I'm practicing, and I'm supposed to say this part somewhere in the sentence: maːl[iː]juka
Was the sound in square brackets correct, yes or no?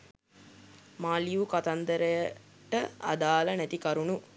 no